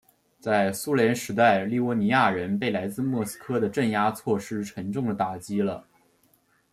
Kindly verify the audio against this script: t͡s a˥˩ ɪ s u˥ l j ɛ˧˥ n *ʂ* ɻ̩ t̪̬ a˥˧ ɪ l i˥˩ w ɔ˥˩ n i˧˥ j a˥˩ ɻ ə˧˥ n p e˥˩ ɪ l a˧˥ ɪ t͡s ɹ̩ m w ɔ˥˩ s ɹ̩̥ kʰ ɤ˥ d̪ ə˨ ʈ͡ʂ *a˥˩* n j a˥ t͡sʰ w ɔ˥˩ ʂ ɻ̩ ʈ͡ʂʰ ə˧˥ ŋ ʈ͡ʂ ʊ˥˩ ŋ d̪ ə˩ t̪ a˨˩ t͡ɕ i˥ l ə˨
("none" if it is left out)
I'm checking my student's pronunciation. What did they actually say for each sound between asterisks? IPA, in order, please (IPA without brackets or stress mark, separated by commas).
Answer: ʂ, ə˥˩